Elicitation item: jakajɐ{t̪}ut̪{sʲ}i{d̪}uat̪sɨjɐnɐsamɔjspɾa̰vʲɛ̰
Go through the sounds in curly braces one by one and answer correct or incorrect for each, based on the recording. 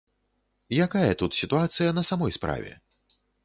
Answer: correct, correct, incorrect

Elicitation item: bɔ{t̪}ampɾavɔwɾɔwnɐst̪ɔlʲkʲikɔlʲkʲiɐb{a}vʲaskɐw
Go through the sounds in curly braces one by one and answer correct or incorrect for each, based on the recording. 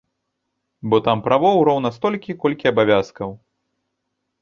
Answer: correct, correct

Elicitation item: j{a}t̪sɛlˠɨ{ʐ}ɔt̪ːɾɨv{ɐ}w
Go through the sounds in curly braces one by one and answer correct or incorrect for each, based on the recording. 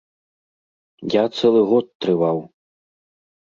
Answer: correct, incorrect, incorrect

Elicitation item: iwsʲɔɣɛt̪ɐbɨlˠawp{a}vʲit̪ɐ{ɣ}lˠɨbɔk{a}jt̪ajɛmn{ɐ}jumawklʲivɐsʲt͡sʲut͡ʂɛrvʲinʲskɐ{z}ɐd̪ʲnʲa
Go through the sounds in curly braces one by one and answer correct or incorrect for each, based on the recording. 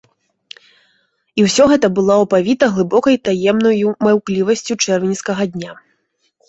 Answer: correct, correct, incorrect, correct, incorrect

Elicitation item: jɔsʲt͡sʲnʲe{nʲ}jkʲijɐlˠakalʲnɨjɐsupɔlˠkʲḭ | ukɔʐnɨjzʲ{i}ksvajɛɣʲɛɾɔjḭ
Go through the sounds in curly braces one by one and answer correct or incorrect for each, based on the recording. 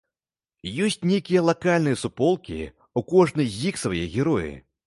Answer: incorrect, correct

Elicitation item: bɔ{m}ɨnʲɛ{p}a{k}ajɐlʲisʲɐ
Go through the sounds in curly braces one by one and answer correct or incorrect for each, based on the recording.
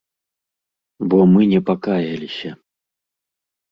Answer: correct, correct, correct

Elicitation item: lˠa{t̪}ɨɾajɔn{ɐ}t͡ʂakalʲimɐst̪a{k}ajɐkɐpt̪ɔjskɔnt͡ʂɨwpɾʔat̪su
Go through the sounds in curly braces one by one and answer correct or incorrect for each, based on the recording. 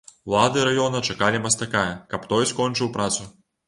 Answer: incorrect, correct, correct

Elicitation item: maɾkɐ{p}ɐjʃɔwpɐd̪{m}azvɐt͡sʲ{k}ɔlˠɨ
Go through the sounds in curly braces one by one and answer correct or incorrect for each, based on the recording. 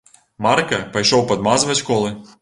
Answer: correct, correct, correct

